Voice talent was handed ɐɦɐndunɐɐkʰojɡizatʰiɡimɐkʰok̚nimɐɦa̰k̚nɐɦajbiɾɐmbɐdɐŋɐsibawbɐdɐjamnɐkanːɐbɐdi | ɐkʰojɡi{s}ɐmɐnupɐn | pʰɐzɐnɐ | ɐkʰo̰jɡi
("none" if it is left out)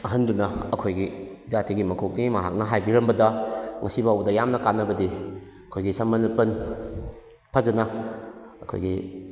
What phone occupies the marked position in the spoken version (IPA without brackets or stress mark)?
s